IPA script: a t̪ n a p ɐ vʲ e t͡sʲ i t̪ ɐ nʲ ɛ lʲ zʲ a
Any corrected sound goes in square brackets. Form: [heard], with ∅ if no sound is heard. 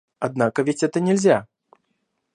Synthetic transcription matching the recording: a [d̪] n a [k] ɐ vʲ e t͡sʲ [ɛ] t̪ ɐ nʲ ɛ lʲ zʲ a